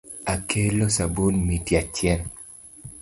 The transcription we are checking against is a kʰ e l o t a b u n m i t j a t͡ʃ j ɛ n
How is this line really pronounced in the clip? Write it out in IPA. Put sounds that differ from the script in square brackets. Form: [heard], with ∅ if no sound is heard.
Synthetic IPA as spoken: a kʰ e l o [s] a b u n m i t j a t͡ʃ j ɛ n